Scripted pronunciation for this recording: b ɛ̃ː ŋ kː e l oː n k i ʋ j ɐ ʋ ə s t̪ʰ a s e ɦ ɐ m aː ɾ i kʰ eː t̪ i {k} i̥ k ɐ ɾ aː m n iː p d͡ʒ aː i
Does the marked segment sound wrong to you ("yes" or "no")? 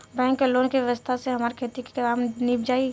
no